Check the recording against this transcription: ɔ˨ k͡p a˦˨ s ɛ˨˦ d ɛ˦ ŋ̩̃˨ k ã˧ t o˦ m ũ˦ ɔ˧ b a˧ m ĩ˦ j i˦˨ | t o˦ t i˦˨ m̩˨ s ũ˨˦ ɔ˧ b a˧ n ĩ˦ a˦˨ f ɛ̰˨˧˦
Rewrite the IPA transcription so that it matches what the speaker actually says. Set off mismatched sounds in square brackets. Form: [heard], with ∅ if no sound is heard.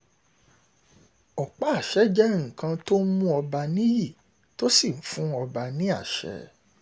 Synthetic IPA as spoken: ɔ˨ k͡p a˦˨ [ʃ] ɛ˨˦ [d͡ʒ] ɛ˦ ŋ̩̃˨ k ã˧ t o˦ m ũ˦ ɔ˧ b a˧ [n] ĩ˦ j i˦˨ | t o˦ [s] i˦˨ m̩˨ [f] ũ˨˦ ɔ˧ b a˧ n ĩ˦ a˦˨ [ʃ] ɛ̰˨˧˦